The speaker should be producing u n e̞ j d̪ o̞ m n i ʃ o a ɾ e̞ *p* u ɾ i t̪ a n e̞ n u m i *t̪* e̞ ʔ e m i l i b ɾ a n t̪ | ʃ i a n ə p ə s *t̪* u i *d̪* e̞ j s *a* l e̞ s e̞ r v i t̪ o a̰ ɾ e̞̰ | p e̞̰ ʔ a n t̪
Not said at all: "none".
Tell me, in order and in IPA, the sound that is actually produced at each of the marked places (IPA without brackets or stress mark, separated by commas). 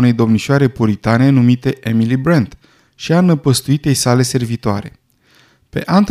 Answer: p, t̪, t̪, t̪, a